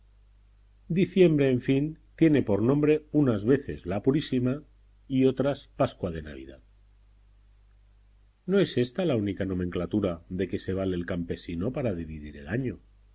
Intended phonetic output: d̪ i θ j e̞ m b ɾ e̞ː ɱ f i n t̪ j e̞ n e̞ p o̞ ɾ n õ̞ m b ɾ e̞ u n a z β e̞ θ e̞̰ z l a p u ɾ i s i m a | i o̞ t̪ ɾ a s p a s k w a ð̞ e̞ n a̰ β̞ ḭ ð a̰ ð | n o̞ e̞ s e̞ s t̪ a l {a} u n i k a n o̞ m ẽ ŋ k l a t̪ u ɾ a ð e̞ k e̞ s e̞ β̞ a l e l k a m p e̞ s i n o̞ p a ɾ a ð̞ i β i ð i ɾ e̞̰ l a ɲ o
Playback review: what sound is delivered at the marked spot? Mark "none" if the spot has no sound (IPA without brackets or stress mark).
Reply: a